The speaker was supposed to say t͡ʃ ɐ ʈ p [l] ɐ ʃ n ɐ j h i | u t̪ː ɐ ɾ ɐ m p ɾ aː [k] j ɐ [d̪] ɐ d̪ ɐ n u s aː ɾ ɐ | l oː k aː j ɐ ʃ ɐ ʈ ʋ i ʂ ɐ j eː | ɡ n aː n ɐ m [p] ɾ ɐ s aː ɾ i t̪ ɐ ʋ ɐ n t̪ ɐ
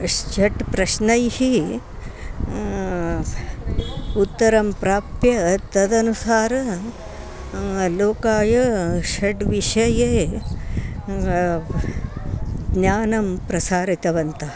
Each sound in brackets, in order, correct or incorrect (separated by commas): incorrect, incorrect, incorrect, correct